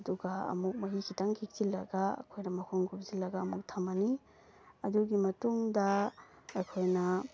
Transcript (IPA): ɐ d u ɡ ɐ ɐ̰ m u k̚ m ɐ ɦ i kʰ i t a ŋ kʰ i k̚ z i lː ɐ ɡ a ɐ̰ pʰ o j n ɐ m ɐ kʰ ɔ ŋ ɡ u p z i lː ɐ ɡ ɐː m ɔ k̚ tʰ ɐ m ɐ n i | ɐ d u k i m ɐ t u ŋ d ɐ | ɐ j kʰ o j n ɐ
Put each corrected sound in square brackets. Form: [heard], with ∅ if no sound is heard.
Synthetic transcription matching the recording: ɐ d u ɡ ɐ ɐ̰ m u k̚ m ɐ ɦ i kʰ i t a ŋ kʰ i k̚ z i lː ɐ ɡ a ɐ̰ [kʰ] o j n ɐ m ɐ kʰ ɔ ŋ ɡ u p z i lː ɐ ɡ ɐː m [u] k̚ tʰ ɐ m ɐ n i | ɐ d u [ɡ] i m ɐ t u ŋ d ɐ | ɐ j kʰ o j n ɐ